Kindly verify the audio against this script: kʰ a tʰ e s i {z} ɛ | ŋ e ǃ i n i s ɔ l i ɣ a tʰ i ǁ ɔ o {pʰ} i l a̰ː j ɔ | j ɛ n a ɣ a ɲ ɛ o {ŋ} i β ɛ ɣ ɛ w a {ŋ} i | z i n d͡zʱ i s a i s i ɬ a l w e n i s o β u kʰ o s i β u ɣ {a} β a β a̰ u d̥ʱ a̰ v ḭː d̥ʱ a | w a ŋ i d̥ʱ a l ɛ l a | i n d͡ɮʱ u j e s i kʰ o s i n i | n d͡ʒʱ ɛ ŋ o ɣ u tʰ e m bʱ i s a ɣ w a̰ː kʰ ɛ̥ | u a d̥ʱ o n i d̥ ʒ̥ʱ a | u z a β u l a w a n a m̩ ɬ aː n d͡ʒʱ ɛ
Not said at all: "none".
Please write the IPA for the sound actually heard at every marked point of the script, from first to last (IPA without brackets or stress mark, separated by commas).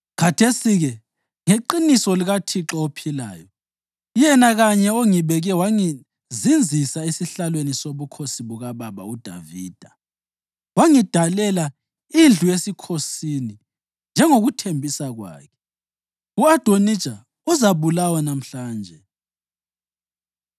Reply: ɣ, pʰ, ŋ, ŋ, a